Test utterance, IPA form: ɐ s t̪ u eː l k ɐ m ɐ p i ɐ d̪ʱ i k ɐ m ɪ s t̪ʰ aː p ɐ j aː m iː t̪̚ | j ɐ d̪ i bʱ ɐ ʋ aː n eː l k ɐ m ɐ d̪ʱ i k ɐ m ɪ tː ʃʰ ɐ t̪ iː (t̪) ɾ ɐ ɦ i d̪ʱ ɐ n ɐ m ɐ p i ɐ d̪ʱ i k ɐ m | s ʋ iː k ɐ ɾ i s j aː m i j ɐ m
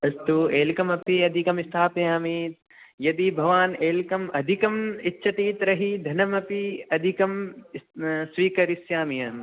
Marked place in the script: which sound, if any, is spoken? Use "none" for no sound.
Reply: t̪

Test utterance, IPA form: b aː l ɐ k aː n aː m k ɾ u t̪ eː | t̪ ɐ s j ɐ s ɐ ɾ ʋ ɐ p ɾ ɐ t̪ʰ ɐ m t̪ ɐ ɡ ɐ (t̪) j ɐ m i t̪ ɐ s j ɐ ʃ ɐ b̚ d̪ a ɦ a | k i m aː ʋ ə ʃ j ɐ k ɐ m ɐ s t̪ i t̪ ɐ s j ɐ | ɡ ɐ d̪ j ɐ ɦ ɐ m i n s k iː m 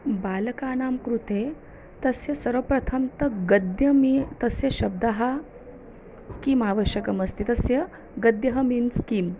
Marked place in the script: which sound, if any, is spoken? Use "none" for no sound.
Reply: d̪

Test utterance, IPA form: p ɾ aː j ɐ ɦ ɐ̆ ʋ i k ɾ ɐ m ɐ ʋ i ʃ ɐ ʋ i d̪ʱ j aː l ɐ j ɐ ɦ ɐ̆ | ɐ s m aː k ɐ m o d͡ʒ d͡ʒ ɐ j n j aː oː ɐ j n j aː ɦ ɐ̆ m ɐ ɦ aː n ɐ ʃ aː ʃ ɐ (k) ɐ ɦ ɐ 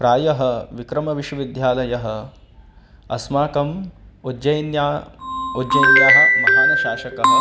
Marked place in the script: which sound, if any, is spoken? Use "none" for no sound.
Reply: k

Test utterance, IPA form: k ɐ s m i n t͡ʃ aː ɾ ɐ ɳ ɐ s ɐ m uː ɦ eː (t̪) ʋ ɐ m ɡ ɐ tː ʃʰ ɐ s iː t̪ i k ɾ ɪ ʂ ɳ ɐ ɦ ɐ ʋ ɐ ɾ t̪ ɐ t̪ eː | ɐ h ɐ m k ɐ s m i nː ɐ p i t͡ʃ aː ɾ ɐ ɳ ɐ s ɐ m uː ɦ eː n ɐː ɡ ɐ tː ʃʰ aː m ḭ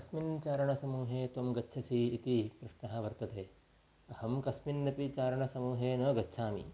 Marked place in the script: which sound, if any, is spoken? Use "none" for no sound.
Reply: t̪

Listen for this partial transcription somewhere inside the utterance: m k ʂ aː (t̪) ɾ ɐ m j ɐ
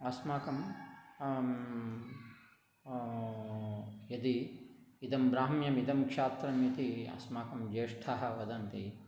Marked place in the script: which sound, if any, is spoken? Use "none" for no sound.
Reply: t̪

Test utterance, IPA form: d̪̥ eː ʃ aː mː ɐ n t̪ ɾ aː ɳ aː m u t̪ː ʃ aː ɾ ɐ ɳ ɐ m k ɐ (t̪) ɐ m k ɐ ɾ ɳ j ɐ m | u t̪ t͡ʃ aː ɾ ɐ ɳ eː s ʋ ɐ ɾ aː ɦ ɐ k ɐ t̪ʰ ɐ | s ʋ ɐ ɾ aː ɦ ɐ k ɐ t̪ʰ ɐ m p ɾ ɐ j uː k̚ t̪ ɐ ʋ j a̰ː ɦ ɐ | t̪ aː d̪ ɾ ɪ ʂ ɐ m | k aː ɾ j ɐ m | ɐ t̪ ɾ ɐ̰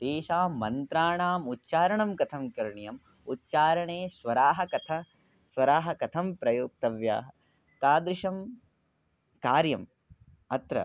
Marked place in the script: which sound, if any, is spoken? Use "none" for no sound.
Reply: t̪ʰ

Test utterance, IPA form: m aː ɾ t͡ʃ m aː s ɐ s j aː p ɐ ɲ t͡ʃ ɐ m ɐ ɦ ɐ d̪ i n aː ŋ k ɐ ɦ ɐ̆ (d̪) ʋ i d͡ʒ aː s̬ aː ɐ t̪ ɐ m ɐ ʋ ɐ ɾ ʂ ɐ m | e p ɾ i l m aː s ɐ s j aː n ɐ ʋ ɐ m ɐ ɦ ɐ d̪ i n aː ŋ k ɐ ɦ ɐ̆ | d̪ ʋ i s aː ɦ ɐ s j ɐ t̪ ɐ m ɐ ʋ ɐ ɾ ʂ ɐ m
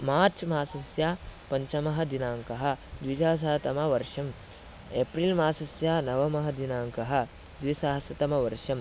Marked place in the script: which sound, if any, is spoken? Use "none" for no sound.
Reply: d̪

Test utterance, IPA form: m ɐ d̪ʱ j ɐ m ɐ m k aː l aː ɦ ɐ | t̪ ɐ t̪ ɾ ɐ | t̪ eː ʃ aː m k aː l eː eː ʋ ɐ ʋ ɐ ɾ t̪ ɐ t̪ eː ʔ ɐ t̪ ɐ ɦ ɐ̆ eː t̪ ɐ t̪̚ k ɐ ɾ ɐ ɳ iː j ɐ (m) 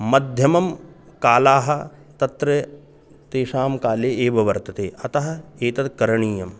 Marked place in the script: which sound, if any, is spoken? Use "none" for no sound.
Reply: m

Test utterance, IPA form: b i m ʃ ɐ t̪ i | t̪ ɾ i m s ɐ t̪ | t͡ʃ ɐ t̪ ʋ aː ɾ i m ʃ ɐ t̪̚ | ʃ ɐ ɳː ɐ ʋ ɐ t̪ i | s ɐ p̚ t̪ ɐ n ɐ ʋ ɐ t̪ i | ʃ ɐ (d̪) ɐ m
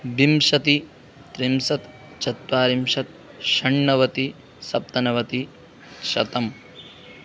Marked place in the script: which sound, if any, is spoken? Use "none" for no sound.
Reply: t̪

